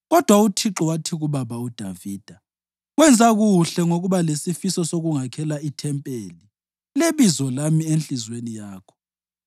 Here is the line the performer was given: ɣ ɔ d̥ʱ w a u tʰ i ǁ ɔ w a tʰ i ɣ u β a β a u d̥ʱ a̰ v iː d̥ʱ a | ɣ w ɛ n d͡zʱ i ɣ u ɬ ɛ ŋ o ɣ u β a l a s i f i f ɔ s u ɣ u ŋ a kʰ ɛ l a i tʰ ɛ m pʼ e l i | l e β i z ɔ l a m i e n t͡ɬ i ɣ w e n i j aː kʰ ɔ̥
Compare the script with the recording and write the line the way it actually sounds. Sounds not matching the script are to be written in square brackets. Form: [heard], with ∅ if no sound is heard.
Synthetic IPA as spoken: ɣ ɔ d̥ʱ w a u tʰ i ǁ ɔ w a tʰ i ɣ u β a β a u d̥ʱ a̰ v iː d̥ʱ a | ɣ w ɛ n d͡zʱ [a] ɣ u ɬ ɛ ŋ o ɣ u β a l [e] s i f i [s] ɔ s [o] ɣ u ŋ a kʰ ɛ l a i tʰ ɛ m pʼ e l i | l e β i z ɔ l a m i e n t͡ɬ i [z] w e n i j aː kʰ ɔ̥

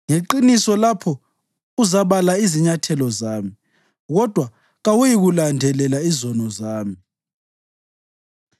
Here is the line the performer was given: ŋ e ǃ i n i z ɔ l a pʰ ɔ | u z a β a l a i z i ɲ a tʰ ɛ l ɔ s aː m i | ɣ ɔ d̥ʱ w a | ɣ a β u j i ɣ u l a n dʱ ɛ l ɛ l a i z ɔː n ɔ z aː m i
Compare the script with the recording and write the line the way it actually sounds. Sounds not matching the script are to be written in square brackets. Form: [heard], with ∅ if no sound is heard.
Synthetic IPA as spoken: ŋ e ǃ i n i [s] ɔ l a pʰ ɔ | u z a β a l a i z i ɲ a tʰ ɛ l ɔ [z] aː m i | ɣ ɔ d̥ʱ w a | ɣ a [w] u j i ɣ u l a n dʱ ɛ l ɛ l a i z [ɔ] n ɔ z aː m i

